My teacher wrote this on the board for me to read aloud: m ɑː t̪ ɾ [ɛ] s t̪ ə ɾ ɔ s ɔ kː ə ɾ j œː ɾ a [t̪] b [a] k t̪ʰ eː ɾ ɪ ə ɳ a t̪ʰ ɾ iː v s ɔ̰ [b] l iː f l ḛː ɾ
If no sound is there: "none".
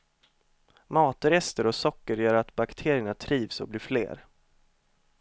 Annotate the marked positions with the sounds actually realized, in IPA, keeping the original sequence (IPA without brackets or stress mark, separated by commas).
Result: ɛ, t̪, a, b